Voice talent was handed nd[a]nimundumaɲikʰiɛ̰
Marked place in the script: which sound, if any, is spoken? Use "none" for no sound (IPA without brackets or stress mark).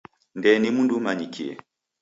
ɛ